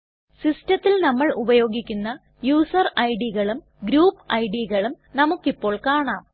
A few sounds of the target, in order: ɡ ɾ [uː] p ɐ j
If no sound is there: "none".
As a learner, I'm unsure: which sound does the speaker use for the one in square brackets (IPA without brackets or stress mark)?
uː